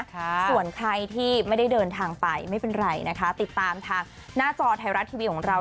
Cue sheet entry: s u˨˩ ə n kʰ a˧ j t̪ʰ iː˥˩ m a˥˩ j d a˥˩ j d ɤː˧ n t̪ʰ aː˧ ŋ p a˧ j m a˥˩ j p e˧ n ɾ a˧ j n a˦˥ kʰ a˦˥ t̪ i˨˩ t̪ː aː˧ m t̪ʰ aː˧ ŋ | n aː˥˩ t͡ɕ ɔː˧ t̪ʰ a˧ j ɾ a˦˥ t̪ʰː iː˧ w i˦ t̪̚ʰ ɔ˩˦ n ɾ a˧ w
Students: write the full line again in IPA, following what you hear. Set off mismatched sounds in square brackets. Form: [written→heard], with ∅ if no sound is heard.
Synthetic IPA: s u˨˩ ə n kʰ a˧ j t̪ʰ iː˥˩ m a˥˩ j d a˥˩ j d ɤː˧ n t̪ʰ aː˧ ŋ p a˧ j m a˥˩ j p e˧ n ɾ a˧ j n a˦˥ kʰ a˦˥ t̪ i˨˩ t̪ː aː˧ m t̪ʰ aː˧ ŋ | n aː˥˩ t͡ɕ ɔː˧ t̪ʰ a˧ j ɾ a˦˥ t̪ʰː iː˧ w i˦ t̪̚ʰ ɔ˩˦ [n→ŋ] ɾ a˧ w